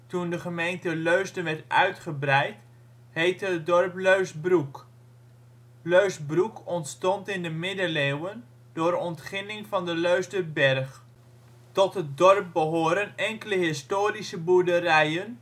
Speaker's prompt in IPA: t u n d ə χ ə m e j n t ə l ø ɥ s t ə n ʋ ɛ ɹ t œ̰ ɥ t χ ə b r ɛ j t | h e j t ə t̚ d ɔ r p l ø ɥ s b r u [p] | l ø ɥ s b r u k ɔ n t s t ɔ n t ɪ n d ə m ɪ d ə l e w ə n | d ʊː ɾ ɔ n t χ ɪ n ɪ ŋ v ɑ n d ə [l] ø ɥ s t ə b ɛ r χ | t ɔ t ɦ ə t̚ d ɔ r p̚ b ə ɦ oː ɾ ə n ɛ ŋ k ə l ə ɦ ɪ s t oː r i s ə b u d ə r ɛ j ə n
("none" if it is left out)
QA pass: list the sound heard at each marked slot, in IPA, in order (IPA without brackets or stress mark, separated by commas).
k, l